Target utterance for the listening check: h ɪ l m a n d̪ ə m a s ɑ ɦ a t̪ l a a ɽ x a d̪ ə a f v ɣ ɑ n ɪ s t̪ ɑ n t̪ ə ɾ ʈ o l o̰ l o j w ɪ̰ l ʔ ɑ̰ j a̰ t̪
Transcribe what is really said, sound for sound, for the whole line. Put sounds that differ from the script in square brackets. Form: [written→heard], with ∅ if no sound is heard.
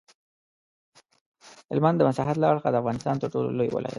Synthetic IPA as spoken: h ɪ l m a n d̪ ə m a s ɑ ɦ a t̪ l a a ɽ x a d̪ ə a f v ɣ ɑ n ɪ s t̪ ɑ n t̪ ə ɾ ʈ o l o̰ l o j w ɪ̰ l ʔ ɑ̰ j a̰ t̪